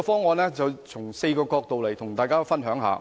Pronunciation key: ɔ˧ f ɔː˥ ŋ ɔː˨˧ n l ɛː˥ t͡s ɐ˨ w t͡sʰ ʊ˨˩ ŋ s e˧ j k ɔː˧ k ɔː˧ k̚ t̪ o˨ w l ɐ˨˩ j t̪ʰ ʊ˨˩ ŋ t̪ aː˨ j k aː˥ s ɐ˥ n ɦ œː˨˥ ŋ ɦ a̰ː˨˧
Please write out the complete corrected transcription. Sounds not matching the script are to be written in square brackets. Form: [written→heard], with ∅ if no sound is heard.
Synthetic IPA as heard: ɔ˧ f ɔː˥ ŋ ɔː˨˧ n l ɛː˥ t͡s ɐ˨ w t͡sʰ ʊ˨˩ ŋ s e˧ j k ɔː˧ k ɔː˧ k̚ t̪ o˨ w l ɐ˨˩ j t̪ʰ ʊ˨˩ ŋ t̪ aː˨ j k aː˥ [s→f] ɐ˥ n ɦ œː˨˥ ŋ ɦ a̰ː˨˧